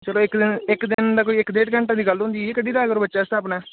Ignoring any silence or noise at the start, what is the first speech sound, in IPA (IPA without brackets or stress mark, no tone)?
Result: t͡ʃ